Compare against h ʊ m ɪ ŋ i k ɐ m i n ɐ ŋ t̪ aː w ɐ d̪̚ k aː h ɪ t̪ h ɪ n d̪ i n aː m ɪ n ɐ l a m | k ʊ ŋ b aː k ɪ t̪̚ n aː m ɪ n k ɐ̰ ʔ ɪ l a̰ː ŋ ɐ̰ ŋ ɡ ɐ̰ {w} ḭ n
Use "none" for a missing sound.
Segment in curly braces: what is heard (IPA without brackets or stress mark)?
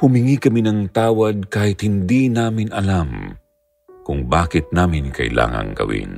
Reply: w